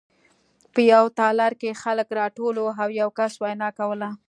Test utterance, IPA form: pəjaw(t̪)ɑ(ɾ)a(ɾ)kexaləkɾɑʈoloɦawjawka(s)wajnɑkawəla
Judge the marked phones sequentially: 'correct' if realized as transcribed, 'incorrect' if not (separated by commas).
correct, incorrect, correct, correct